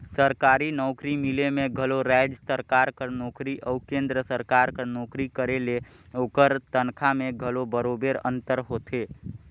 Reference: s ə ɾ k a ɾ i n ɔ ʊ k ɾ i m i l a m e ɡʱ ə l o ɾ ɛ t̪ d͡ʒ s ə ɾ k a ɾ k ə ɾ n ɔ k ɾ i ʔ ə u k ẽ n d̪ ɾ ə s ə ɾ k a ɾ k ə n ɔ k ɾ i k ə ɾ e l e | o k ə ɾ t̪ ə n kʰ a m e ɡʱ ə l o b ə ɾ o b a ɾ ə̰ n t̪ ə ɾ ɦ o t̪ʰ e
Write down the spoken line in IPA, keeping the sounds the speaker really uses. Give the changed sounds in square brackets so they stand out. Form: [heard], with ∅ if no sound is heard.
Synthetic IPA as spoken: s ə ɾ k a ɾ i n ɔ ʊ k ɾ i m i l [e] m e ɡʱ ə l o ɾ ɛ [∅] d͡ʒ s ə ɾ k a ɾ k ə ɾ n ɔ k ɾ i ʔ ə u k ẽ n d̪ ɾ ə s ə ɾ k a ɾ k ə n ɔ k ɾ i k ə ɾ e l e | o k ə ɾ t̪ ə n kʰ a m e ɡʱ ə l o b ə ɾ o b [e] ɾ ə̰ n t̪ ə ɾ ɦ o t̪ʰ e